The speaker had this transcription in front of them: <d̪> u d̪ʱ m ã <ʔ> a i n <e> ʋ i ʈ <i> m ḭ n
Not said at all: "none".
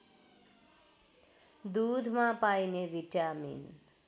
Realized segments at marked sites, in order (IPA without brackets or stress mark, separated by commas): d̪, p, e, a